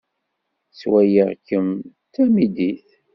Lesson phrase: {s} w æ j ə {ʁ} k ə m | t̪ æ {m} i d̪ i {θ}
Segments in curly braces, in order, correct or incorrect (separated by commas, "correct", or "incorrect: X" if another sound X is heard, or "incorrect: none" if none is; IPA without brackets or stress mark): correct, correct, correct, correct